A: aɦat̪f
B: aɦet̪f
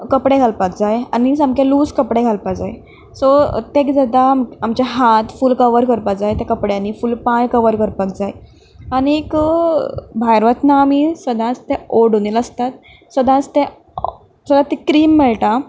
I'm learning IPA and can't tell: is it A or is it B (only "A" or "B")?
A